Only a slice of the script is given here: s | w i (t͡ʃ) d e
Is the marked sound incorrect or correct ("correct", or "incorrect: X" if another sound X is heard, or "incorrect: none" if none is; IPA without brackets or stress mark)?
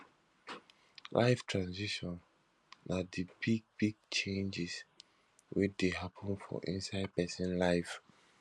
correct